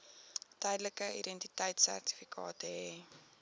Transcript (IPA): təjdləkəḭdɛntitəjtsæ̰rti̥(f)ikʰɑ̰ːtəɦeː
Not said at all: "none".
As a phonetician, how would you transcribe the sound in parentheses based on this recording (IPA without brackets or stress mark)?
f